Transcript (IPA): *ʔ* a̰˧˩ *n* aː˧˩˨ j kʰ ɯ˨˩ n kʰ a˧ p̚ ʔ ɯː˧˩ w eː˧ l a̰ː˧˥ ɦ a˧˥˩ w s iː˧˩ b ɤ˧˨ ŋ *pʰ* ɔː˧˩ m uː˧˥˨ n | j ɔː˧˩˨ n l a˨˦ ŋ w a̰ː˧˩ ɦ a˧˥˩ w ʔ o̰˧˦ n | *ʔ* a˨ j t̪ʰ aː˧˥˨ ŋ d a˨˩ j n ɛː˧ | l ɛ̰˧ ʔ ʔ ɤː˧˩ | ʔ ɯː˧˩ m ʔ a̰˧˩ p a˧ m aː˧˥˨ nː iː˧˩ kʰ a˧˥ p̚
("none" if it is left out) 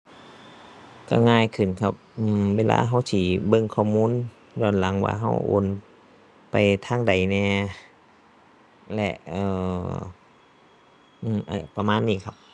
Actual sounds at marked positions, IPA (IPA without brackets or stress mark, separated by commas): k, ŋ, kʰ, p